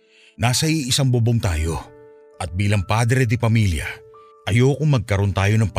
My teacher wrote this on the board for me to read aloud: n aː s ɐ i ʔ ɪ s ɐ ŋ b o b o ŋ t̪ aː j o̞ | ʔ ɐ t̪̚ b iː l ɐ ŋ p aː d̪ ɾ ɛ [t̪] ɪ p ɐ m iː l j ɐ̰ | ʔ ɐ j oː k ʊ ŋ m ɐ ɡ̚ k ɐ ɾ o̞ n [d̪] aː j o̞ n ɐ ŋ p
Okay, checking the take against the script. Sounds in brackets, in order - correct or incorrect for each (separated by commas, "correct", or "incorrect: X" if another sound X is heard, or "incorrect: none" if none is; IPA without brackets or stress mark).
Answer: incorrect: d̪, incorrect: t̪